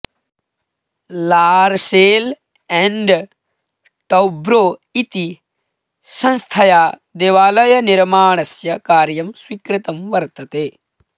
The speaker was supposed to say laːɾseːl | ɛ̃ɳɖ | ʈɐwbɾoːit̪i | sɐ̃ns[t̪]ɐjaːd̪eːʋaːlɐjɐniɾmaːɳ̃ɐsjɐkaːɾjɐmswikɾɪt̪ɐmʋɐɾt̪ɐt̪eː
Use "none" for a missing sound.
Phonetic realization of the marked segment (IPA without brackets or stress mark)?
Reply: t̪ʰ